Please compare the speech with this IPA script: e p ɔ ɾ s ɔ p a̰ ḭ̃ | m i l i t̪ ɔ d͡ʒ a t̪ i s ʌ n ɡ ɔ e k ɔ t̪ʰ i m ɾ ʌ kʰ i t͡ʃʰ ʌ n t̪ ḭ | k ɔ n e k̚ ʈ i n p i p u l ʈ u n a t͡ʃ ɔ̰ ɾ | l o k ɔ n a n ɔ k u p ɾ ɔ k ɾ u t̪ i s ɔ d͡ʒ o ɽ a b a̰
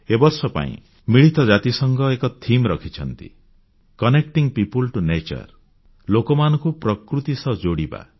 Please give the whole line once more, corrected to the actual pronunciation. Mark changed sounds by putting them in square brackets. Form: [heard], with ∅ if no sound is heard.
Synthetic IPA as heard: e [b] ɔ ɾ s ɔ p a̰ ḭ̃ | m i [ɭ] i t̪ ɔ d͡ʒ a t̪ i s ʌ [ŋ] ɡ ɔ e k ɔ t̪ʰ i m ɾ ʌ kʰ i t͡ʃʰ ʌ n t̪ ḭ | k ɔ n e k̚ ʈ i [ŋ] p i p u l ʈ u n [e] t͡ʃ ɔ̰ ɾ | l o k ɔ [m] a n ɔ k u p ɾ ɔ k ɾ u t̪ i s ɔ d͡ʒ o ɽ [i] b a̰

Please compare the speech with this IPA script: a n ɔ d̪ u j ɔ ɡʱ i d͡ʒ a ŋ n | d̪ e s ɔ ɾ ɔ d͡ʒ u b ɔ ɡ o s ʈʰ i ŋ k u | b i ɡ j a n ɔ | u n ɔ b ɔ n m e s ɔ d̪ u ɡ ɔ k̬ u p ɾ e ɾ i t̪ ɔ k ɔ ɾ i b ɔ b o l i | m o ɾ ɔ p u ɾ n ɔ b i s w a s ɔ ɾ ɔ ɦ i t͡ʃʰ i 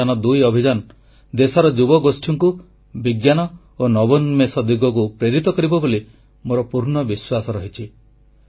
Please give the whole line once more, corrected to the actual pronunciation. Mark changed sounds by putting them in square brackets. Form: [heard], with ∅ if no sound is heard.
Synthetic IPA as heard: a n ɔ d̪ u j ɔ [bʱ] i d͡ʒ a [∅] n | d̪ e s ɔ ɾ ɔ d͡ʒ u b ɔ ɡ o s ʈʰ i ŋ k u | b i ɡ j a n ɔ | [o] n ɔ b ɔ n m e s ɔ d̪ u ɡ ɔ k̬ u p ɾ e ɾ i t̪ ɔ k ɔ ɾ i b ɔ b o l i | m o ɾ ɔ p u ɾ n ɔ b i s w a s ɔ ɾ ɔ ɦ i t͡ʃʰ i

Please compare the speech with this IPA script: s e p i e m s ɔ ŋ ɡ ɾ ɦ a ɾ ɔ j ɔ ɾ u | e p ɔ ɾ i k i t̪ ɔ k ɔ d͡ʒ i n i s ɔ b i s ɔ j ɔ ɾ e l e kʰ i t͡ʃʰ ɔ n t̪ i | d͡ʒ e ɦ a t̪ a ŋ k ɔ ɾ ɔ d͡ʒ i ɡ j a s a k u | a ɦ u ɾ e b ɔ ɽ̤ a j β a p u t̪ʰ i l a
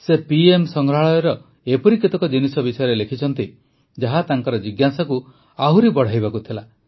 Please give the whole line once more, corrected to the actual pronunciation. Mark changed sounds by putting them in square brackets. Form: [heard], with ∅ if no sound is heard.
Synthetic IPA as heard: s e p i e m s ɔ ŋ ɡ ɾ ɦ a [ɭ] ɔ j ɔ ɾ [ɔ] | e p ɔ ɾ i k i t̪ ɔ k ɔ d͡ʒ i n i s ɔ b i s ɔ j ɔ ɾ e l e kʰ i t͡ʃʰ ɔ n t̪ i | d͡ʒ [a] ɦ a t̪ a ŋ k ɔ ɾ ɔ d͡ʒ i ɡ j a s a k u | a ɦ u ɾ [i] b ɔ ɽ̤ a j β a [k] u t̪ʰ i l a

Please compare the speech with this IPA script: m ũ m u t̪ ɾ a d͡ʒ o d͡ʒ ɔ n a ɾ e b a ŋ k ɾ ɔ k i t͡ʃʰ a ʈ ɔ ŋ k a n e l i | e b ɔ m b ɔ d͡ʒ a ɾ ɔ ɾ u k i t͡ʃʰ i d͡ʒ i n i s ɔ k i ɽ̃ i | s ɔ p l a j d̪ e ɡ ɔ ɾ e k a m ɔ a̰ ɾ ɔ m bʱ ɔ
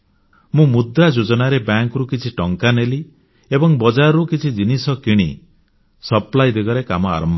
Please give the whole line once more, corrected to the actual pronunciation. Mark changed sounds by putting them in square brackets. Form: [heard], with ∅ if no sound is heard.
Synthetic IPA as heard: m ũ m u [d̪] ɾ a d͡ʒ o d͡ʒ ɔ n a ɾ e b a ŋ k ɾ [u] k i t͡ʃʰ [i] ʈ ɔ ŋ k a n e l i | e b ɔ [ŋ] b ɔ d͡ʒ a ɾ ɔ ɾ u k i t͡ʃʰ i d͡ʒ i n i s ɔ k i ɽ̃ i | s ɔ p l a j d̪ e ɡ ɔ ɾ e k a m ɔ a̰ ɾ ɔ m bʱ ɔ

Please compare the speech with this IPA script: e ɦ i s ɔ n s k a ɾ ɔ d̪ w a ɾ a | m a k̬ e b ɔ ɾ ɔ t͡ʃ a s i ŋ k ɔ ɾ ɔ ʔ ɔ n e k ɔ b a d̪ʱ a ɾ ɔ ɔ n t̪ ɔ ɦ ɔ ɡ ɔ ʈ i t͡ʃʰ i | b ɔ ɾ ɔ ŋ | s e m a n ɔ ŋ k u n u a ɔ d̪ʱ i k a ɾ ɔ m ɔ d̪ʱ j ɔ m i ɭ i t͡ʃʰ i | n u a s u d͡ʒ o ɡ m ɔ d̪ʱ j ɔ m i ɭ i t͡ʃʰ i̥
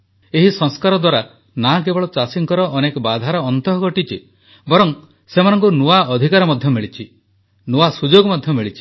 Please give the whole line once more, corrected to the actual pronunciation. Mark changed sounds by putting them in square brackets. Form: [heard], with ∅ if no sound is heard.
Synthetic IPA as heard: e ɦ i s ɔ [ŋ] s k a ɾ ɔ d̪ w a ɾ a | [n] a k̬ e b ɔ [ɭ] ɔ t͡ʃ a s i ŋ k ɔ ɾ ɔ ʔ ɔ n e k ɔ b a d̪ʱ a ɾ ɔ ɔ n t̪ ɔ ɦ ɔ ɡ ɔ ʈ i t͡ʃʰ i | b ɔ ɾ ɔ ŋ | s e m a n ɔ ŋ k u n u a ɔ d̪ʱ i k a ɾ ɔ m ɔ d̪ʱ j ɔ m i ɭ i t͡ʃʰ i | n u a s u d͡ʒ o ɡ m ɔ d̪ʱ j ɔ m i ɭ i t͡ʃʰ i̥

